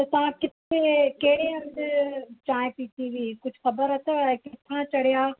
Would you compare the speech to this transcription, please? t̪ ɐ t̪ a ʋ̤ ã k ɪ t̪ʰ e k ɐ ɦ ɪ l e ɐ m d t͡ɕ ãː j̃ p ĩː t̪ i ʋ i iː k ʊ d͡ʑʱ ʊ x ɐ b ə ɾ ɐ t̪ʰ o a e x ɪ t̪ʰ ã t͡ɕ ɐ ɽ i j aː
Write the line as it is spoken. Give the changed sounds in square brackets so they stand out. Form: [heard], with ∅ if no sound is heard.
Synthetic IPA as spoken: t̪ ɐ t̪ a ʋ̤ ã k ɪ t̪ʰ e k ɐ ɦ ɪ [ɽ] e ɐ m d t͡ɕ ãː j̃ p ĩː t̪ i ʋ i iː k ʊ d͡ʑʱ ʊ x ɐ b ə ɾ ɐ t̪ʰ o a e [k] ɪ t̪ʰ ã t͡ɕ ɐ ɽ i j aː